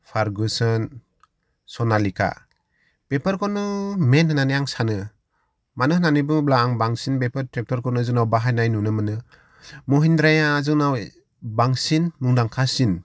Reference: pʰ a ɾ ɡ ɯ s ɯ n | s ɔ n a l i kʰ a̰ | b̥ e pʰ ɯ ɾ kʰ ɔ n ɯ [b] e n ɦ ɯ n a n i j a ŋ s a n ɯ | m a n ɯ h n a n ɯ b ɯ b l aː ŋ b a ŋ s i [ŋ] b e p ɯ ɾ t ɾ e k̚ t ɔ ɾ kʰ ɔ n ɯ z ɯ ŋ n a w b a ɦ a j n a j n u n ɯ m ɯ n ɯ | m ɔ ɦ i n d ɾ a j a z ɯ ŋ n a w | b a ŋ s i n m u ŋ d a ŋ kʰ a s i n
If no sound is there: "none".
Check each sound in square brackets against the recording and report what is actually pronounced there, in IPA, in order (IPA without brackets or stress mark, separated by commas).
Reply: m, n